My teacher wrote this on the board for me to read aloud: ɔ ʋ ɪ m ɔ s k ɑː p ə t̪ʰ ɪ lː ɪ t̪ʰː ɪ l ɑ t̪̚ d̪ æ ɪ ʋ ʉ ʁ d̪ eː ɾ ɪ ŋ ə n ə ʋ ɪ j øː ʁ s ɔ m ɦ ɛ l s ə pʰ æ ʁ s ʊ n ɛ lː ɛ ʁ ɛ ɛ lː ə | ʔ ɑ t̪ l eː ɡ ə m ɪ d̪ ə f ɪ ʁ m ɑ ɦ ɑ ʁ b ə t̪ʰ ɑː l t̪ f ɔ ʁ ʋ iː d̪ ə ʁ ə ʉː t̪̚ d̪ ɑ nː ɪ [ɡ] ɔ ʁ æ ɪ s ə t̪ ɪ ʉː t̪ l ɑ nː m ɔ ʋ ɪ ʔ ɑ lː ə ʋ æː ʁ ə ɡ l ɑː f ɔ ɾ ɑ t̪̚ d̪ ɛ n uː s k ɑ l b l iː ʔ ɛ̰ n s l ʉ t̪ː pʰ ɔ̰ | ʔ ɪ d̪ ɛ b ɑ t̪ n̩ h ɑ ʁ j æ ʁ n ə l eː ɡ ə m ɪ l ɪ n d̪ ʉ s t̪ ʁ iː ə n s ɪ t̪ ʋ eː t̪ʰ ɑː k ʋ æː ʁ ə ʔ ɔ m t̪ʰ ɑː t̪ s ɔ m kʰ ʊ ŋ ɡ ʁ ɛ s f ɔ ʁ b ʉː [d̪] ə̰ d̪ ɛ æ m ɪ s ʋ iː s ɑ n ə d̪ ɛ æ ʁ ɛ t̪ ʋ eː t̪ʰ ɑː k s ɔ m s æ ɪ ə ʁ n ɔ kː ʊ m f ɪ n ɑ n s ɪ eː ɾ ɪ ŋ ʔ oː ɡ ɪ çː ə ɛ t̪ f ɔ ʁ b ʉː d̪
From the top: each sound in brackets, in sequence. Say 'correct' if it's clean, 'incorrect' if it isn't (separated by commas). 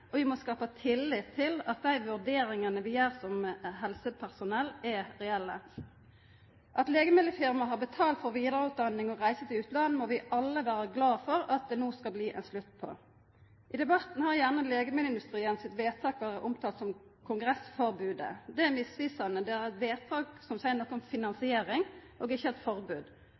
incorrect, correct